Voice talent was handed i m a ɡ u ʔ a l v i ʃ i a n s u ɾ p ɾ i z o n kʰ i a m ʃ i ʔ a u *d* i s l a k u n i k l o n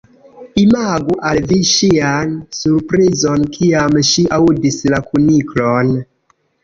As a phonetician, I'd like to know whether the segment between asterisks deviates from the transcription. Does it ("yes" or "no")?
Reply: no